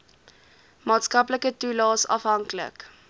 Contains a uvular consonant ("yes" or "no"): no